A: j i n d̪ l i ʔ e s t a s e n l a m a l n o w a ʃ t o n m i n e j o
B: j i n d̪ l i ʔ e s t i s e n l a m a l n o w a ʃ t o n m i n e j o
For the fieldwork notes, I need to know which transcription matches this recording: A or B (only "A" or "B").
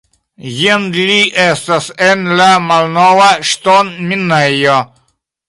A